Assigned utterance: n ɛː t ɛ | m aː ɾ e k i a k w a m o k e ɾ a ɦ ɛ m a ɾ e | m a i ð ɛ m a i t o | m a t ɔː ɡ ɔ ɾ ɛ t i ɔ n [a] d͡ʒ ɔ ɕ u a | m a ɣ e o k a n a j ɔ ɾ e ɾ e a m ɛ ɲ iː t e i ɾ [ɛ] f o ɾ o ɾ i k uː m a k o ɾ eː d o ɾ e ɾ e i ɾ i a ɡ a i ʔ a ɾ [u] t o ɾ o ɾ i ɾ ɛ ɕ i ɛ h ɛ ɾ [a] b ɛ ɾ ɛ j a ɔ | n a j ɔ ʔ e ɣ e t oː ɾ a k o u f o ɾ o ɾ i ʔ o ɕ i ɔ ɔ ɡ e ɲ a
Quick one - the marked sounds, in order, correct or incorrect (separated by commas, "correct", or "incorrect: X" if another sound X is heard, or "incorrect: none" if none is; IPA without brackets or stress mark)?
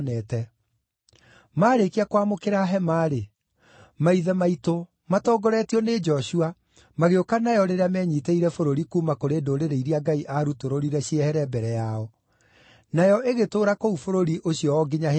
incorrect: e, correct, correct, incorrect: ɛ